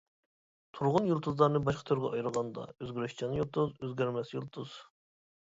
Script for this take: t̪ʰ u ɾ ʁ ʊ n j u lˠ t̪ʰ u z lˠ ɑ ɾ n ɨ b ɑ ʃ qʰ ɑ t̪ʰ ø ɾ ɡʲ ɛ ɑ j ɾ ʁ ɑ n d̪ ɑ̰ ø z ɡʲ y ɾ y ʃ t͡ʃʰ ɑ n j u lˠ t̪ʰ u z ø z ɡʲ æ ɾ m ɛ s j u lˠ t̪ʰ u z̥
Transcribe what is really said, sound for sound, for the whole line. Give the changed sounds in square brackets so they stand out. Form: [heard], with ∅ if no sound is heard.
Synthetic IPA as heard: t̪ʰ u ɾ ʁ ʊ n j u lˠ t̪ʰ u z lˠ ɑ ɾ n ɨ b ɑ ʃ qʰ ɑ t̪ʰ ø ɾ ɡʲ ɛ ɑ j ɾ ʁ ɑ n d̪ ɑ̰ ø z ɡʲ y ɾ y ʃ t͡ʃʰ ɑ n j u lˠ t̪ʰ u z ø z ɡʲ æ ɾ m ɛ s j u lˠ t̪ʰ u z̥